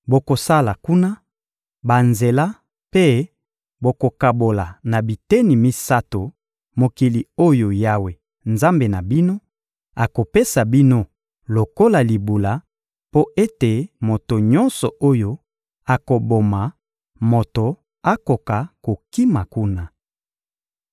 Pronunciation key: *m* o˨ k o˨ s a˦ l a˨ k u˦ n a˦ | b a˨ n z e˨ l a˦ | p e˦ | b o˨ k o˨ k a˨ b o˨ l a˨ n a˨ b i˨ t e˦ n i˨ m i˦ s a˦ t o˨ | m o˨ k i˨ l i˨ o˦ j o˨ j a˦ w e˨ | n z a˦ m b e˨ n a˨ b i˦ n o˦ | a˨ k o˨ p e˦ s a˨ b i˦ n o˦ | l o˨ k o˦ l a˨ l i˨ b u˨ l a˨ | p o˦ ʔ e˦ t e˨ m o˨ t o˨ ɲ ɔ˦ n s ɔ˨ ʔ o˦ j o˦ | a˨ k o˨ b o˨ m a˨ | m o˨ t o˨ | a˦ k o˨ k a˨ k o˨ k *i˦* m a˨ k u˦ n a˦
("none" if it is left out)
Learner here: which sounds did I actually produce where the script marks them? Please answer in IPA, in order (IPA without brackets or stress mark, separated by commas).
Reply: b, i˦